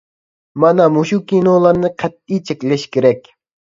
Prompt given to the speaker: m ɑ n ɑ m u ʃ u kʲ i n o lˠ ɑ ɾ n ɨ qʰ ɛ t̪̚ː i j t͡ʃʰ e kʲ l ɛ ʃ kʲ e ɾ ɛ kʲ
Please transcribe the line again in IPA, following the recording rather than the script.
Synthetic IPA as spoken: m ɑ n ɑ m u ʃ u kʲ i n o lˠ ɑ ɾ n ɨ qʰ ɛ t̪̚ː i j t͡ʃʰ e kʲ l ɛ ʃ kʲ e ɾ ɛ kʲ